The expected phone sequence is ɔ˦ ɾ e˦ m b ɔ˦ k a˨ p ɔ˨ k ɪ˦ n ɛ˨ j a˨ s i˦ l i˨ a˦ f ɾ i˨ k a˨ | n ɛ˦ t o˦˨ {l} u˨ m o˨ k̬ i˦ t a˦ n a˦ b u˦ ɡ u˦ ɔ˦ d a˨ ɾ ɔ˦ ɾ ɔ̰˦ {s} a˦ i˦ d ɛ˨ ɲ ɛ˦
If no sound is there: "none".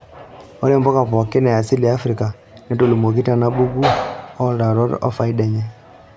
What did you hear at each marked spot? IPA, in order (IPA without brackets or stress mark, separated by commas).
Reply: l, f